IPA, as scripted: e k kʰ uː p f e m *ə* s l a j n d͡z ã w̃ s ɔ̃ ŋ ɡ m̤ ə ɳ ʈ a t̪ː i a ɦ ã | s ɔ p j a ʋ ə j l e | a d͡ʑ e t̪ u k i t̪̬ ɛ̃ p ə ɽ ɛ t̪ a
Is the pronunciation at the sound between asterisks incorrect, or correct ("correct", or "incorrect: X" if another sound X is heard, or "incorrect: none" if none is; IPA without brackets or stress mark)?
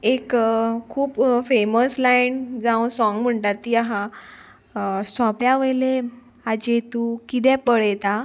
correct